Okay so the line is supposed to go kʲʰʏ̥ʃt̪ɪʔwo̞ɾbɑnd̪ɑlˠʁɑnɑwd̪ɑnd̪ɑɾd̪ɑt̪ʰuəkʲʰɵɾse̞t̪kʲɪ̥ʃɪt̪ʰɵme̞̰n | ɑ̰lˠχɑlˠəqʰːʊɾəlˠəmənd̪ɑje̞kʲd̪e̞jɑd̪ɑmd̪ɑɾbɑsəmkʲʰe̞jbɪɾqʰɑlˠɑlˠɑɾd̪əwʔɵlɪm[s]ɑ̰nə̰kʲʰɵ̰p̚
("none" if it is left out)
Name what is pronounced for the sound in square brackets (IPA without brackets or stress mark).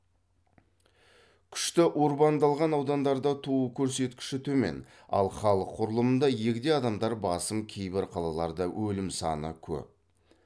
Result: s